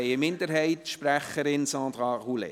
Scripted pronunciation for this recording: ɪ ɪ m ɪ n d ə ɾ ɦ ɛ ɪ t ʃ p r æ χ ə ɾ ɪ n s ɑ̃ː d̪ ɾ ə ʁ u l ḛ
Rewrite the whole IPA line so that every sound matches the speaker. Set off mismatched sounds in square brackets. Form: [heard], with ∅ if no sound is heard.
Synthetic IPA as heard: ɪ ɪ m ɪ n d ə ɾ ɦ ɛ ɪ t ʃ p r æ χ ə ɾ ɪ n s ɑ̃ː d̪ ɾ [ɑ] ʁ u l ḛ